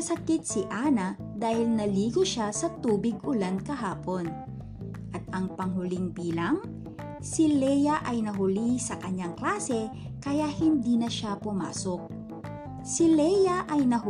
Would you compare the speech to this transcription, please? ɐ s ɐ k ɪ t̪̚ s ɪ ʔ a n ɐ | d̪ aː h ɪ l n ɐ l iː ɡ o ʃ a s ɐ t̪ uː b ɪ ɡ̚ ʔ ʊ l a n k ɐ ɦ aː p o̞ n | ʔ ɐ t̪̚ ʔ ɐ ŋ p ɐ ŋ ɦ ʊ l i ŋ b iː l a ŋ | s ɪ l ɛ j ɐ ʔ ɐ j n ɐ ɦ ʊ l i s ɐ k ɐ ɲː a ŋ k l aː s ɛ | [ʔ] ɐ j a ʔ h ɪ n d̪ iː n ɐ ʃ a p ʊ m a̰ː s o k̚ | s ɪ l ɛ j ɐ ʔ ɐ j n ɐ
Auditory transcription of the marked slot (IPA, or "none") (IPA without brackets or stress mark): k